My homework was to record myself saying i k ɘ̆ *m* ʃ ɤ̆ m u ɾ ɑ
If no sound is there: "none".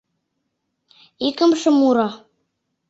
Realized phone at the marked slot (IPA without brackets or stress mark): m